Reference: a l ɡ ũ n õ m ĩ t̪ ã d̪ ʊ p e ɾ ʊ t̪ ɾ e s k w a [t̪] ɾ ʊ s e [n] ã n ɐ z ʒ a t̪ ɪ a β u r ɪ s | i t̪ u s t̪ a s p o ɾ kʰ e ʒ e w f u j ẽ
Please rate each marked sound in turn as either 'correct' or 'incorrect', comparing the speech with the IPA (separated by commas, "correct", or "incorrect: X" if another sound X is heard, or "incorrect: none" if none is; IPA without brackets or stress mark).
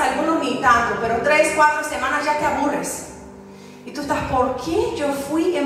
correct, incorrect: m